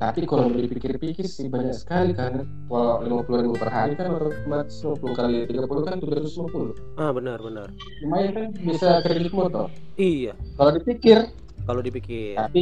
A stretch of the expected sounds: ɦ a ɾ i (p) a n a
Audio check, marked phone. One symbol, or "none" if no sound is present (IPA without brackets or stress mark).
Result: k